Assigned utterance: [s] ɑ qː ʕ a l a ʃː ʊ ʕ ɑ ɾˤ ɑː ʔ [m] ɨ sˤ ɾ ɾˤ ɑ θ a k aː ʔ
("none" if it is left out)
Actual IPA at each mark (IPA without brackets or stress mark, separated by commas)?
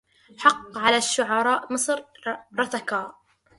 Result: ħ, m